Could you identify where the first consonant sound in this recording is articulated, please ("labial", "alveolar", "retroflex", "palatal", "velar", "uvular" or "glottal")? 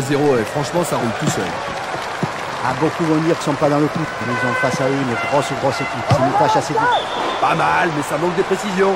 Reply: alveolar